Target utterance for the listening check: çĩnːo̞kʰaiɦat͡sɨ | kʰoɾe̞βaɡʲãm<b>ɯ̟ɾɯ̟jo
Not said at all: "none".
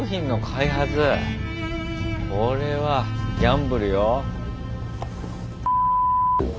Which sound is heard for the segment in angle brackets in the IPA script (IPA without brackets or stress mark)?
b